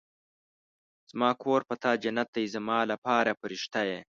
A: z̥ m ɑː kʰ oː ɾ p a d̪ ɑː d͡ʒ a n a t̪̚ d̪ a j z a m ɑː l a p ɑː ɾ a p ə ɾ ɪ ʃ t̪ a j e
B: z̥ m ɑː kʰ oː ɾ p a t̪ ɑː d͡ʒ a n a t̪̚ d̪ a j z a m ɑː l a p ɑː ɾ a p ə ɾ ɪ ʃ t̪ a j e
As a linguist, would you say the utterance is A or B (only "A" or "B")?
B